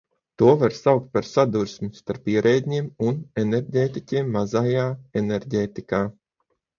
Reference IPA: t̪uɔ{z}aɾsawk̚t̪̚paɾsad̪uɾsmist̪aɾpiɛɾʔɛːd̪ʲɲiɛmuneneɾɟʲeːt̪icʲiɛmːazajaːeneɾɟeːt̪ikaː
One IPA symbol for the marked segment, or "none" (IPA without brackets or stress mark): v